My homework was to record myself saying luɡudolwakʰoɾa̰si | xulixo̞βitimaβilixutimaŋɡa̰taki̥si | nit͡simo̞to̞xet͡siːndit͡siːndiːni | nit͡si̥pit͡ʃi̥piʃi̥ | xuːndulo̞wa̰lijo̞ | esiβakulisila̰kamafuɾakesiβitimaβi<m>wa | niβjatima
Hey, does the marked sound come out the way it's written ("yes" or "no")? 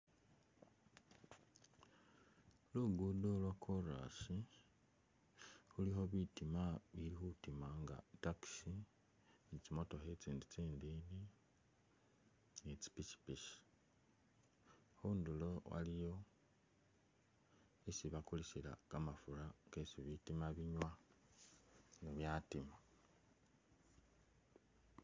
no